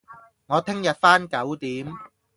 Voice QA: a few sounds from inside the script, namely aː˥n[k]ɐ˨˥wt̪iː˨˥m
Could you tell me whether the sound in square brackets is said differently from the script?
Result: no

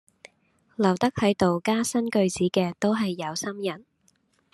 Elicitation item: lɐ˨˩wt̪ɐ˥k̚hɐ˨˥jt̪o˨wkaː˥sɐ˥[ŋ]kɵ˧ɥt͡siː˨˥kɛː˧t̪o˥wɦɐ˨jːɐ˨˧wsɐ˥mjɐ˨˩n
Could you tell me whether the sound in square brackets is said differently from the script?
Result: yes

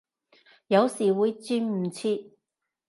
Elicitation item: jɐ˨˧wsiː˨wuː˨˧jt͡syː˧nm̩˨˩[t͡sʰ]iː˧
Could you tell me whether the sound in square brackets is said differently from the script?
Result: no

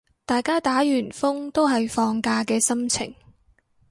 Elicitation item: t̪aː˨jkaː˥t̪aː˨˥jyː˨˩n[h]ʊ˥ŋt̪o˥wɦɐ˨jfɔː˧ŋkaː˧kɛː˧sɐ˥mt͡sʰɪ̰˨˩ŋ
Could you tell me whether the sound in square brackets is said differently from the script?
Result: yes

